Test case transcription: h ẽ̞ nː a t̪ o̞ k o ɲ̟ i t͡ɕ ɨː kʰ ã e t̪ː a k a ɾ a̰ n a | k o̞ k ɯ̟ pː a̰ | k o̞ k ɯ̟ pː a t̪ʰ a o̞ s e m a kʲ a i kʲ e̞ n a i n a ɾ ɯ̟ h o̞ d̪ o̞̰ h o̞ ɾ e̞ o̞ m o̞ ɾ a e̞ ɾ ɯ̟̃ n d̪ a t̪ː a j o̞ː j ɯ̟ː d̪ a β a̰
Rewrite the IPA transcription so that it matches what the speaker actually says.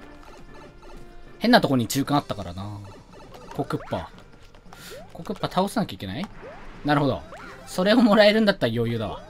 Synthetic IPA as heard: h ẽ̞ nː a t̪ o̞ k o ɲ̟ i t͡ɕ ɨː k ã a t̪ː a k a ɾ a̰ n a | k o̞ k ɯ̟ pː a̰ | k o̞ k ɯ̟ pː a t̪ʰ a o̞ s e n a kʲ a i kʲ e̞ n a i n a ɾ ɯ̟ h o̞ d̪ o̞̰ s o̞ ɾ e̞ o̞ m o̞ ɾ a e̞ ɾ ɯ̟̃ n d̪ a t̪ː a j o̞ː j ɯ̟ː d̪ a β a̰